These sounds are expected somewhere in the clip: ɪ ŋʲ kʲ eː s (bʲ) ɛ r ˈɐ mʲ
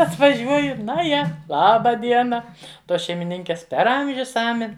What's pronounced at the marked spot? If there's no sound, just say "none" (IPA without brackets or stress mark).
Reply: pʲ